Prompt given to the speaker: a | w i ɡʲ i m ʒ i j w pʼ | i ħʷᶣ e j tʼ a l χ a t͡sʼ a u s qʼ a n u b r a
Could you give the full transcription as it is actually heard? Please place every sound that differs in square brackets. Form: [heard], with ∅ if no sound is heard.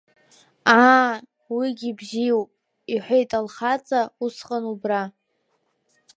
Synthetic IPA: a | w i ɡʲ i [b] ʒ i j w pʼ | i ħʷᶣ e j tʼ a l χ a t͡sʼ a u s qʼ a n u b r a